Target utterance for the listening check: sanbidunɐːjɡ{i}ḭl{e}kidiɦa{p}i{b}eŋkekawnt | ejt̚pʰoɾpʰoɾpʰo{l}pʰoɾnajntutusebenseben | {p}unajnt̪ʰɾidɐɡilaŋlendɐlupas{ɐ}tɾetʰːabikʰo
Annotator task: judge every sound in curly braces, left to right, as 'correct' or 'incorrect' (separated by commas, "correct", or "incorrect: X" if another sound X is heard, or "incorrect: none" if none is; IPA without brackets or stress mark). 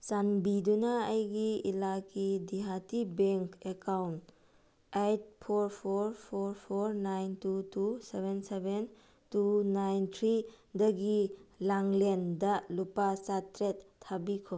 correct, incorrect: a, incorrect: t, correct, incorrect: ɾ, incorrect: t, incorrect: a